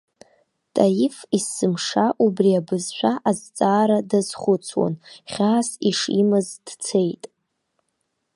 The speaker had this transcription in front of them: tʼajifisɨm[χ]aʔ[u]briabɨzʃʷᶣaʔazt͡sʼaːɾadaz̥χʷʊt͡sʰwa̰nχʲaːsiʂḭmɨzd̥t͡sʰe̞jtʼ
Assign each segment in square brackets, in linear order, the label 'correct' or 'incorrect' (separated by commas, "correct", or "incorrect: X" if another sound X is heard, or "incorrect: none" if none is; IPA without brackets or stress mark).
incorrect: ʂ, correct